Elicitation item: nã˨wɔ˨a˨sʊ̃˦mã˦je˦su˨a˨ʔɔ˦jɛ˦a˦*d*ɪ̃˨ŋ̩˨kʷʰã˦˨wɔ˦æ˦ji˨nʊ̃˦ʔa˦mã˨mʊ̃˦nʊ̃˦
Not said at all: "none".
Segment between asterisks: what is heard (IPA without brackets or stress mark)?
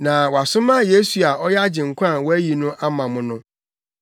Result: d͡ʑ